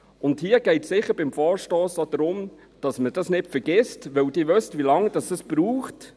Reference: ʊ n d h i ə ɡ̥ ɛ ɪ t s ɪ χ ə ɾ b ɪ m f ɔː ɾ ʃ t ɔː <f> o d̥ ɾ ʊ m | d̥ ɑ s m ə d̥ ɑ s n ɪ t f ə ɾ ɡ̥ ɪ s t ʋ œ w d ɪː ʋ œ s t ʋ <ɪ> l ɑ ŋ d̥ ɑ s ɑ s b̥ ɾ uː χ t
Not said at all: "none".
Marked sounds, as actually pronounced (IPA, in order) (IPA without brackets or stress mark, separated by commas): s, i